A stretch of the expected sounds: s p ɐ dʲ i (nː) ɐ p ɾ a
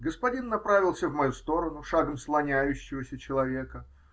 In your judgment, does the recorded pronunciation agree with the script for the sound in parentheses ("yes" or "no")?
yes